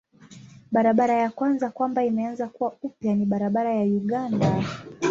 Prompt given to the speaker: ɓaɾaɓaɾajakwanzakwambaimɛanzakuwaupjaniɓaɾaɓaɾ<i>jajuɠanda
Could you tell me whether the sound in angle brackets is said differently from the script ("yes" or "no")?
yes